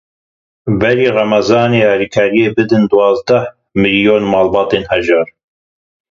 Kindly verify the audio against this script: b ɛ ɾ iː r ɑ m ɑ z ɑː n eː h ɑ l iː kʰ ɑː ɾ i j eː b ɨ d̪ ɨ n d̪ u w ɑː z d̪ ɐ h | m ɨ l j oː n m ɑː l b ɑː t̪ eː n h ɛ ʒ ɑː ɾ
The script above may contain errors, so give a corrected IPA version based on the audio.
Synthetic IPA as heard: b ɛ ɾ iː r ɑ m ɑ z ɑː n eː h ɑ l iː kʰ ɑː ɾ i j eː b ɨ d̪ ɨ n d̪ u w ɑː z d̪ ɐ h | m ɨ l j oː n m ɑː l b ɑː t̪ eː n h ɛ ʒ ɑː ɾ

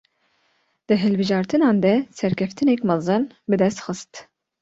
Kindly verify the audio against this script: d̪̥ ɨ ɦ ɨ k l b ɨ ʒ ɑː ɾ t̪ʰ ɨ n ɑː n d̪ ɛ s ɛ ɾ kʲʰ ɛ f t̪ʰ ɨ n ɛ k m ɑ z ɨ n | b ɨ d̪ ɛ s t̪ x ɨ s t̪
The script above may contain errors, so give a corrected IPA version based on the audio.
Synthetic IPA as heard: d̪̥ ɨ ɦ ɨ l b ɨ ʒ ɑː ɾ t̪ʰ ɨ n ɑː n d̪ ɛ s ɛ ɾ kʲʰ ɛ f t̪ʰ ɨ n ɛ k m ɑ z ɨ n | b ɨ d̪ ɛ s t̪ x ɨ s t̪

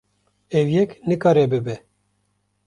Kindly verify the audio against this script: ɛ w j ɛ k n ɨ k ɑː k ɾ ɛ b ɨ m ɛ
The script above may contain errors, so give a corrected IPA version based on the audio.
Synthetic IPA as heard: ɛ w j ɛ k n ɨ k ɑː ɾ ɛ b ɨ b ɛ

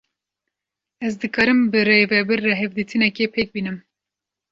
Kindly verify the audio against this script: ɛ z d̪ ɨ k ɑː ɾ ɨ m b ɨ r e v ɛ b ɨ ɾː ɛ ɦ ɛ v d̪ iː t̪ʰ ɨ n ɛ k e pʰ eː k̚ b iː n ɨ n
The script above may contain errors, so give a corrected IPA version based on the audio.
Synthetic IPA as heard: ɛ z d̪ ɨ k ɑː ɾ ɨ m b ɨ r e v ɛ b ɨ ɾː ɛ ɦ ɛ v d̪ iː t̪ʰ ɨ n ɛ k e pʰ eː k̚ b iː n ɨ m

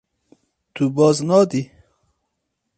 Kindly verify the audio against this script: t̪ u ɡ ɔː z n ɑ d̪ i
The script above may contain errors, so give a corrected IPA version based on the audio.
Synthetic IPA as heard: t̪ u b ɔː z n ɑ d̪ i

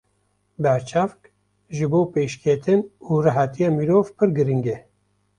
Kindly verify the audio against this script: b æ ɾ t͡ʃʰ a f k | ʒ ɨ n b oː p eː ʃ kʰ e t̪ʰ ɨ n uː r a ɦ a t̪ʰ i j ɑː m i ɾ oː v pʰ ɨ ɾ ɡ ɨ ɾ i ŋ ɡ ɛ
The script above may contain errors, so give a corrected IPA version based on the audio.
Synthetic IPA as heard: b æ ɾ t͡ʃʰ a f k | ʒ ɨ b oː p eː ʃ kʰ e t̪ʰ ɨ n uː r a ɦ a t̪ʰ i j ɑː m i ɾ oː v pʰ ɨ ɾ ɡ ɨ ɾ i ŋ ɡ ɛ

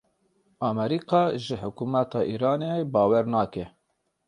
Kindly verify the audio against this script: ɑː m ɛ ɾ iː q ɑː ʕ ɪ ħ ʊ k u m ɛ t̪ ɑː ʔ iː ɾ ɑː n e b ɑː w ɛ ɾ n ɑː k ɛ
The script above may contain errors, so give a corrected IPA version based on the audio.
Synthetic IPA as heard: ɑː m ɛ ɾ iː q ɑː ʒ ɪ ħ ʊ k u m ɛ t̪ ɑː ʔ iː ɾ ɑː n e b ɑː w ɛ ɾ n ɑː k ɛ

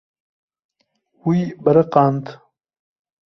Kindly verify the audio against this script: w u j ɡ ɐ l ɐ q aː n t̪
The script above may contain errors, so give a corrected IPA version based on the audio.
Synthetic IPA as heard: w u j b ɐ ɾ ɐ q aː n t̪

